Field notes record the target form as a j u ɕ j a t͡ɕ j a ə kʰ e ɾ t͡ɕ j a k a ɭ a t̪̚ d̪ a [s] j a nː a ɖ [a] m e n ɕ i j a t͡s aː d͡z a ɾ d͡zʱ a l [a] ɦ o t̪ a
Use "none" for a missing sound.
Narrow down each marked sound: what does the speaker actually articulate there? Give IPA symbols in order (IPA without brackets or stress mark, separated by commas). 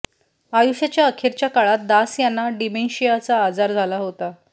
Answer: s, i, a